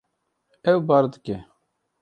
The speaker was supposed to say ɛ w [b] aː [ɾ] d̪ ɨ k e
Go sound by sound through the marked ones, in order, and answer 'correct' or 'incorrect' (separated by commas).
correct, correct